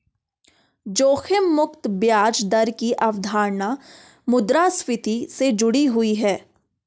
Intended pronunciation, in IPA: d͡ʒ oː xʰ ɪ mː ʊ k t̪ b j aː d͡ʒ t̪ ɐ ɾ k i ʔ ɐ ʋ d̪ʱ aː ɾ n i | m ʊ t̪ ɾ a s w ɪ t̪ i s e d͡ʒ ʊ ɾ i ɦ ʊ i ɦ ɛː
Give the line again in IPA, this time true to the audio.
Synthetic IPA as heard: d͡ʒ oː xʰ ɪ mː ʊ k t̪ b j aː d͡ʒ d̪ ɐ ɾ k i ʔ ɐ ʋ d̪ʱ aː ɾ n a | m ʊ d̪ ɾ a s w ɪ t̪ i s e d͡ʒ ʊ ɽ i ɦ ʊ i ɦ ɛː